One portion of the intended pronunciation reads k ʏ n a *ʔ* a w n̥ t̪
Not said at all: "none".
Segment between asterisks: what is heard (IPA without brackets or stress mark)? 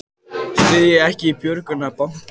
p